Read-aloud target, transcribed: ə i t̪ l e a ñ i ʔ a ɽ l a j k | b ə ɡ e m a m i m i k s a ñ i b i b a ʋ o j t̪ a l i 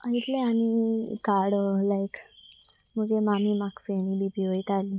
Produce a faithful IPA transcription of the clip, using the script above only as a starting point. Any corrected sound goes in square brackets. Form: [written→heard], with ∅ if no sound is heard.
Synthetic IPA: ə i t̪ l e a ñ i [ʔ→k] a ɽ l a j k | [b→m] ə ɡ e m a m i m [i→a] k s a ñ i b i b [a→i] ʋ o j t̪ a l i

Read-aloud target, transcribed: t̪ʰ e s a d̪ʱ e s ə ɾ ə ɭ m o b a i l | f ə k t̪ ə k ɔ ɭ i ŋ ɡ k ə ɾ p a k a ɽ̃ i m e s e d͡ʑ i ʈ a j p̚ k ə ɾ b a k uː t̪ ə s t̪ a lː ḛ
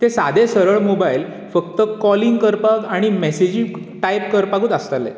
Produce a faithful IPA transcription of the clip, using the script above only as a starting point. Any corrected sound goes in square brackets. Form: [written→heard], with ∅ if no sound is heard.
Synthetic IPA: [t̪ʰ→t̪] e s a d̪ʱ e s ə ɾ ə ɭ m o b a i l | f ə k t̪ ə k ɔ [ɭ→l] i ŋ ɡ k ə ɾ p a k a ɽ̃ i m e s e d͡ʑ i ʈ a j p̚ k ə ɾ [b→p] a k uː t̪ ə s t̪ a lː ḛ

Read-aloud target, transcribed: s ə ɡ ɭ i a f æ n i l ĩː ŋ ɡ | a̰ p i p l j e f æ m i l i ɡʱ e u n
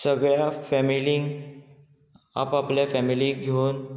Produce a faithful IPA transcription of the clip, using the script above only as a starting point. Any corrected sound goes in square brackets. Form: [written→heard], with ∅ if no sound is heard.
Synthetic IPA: s ə ɡ ɭ [i→j] a f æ [n→m] i l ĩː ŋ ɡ | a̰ p [i→a] p l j [e→a] f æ m i l i ɡʱ e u n

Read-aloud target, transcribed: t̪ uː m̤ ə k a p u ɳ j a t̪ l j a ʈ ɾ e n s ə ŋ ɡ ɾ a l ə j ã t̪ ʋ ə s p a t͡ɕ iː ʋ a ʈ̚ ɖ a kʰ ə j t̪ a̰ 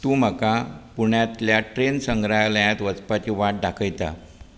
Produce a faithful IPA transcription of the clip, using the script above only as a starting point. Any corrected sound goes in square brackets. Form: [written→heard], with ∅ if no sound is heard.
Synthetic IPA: t̪ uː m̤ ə k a p u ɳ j a t̪ l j a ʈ ɾ e n s ə ŋ ɡ ɾ a l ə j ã t̪ ʋ ə [s→t͡s] p a t͡ɕ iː ʋ a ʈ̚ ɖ a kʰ ə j t̪ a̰

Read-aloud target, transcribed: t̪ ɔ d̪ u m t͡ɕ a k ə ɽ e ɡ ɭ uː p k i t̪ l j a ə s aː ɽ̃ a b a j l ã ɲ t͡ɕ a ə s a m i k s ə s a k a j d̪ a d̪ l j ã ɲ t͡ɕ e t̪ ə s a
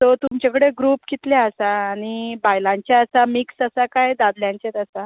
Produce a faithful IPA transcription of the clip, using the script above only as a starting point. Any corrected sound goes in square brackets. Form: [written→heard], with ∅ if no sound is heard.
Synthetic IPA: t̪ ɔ [d̪→t̪] u m t͡ɕ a k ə ɽ e ɡ [ɭ→ɾ] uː p k i t̪ l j a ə s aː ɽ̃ [a→i] b a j l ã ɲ t͡ɕ a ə s a m i k s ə s a k a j d̪ a d̪ l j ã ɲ t͡ɕ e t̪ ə s a

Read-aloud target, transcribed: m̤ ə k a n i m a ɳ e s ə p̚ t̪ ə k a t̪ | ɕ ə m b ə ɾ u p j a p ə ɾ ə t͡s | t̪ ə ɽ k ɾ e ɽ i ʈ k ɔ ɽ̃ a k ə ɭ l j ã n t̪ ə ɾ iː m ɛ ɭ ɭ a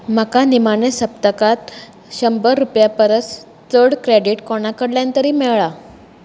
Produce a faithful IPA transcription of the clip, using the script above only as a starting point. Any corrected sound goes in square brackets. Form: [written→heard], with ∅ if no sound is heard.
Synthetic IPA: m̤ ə k a n i m a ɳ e s ə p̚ t̪ ə k a t̪ | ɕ ə m b ə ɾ u p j a p ə ɾ ə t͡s | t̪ ə ɽ k ɾ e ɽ i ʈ k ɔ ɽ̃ a k ə [ɭ→ɽ] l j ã n t̪ ə ɾ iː m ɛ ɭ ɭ a

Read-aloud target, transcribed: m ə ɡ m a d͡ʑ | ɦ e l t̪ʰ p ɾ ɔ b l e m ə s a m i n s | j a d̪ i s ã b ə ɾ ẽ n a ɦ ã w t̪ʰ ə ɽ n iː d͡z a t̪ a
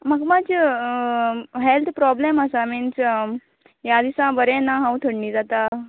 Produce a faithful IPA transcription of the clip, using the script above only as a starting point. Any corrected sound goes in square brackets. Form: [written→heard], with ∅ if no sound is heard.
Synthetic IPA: m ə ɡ m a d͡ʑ | ɦ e l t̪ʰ p ɾ ɔ b l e m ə s a m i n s | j a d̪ i s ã b ə ɾ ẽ n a ɦ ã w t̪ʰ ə ɽ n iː d͡z a t̪ a

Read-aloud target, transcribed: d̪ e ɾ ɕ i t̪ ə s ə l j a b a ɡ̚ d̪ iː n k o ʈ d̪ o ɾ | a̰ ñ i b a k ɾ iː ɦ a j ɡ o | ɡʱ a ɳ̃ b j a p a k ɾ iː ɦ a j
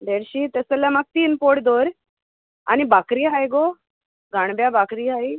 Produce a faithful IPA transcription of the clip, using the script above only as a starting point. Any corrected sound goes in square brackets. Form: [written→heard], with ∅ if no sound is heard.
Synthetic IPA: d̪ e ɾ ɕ i t̪ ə s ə l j a [b→m] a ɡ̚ [d̪→t̪] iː n [k→p] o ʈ d̪ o ɾ | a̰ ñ i b a k ɾ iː ɦ a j ɡ o | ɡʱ a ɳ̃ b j a [p→b] a k ɾ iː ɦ a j

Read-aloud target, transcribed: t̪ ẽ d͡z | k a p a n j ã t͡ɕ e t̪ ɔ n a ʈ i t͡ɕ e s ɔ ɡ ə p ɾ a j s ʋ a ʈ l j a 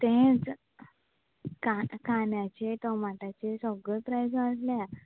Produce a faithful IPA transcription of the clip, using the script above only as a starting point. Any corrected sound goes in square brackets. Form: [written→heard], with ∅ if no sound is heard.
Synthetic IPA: t̪ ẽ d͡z | k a [p→k] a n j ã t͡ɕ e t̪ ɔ [n→m] a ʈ [i→a] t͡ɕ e s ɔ ɡ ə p ɾ a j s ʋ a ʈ l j a

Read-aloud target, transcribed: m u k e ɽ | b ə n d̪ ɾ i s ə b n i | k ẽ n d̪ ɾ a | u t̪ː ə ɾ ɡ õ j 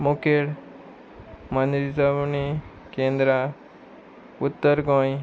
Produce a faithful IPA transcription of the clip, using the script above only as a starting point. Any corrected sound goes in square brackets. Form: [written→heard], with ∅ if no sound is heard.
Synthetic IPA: m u k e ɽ | [b→m] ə n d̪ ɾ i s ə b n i | k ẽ n d̪ ɾ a | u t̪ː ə ɾ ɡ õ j

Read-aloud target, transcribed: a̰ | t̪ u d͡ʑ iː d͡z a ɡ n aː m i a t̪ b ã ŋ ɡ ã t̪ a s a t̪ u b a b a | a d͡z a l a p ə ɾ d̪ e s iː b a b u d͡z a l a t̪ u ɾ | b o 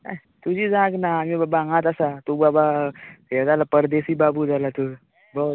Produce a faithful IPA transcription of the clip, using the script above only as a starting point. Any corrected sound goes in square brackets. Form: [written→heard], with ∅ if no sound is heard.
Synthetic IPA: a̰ | t̪ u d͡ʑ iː d͡z a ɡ n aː m i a [t̪→∅] b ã ŋ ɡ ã t̪ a s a t̪ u b a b a | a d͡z a l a p ə ɾ d̪ e s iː b a b u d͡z a l a t̪ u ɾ | b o

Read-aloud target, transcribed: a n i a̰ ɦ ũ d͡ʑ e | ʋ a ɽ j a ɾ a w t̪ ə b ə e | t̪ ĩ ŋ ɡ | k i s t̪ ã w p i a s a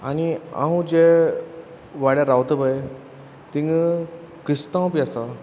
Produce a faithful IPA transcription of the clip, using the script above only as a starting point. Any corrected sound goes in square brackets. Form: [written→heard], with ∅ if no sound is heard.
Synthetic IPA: a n i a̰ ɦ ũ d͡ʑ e | ʋ a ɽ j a ɾ a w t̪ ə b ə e | t̪ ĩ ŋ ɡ | k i s t̪ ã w p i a s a

